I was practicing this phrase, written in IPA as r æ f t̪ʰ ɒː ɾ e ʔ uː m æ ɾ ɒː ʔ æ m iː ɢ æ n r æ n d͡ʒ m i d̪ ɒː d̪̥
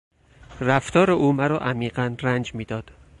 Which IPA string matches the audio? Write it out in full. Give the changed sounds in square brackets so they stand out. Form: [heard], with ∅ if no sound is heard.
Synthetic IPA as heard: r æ f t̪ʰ ɒː ɾ e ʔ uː m æ ɾ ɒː ʔ æ m iː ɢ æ n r æ n d͡ʒ m [iː] d̪ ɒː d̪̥